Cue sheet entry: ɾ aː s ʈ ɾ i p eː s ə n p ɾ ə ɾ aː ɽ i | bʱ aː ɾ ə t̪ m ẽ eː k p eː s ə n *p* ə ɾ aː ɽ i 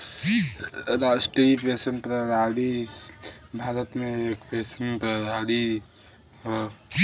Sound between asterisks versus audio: correct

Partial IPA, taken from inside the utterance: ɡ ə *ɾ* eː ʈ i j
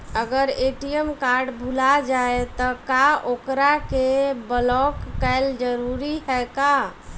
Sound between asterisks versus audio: correct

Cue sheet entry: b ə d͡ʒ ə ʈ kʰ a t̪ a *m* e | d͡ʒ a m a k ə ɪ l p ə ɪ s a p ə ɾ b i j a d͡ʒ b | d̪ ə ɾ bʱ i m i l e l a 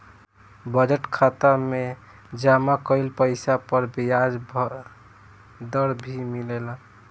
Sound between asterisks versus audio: correct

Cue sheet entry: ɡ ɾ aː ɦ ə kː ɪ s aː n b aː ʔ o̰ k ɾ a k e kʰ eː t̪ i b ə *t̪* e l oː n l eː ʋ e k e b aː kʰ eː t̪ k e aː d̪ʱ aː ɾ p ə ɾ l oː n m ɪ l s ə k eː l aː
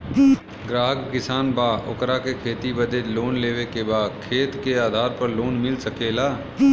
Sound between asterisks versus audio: incorrect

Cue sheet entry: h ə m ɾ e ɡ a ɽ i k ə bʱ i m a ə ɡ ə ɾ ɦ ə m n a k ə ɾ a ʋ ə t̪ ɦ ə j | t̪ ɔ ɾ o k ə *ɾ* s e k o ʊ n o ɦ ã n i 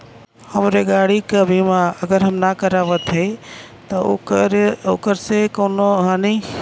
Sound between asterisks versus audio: correct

